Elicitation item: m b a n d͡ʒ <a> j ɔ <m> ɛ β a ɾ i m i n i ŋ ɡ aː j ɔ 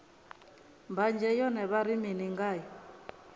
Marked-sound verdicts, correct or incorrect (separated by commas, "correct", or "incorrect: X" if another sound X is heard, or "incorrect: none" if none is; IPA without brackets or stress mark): incorrect: ɛ, incorrect: n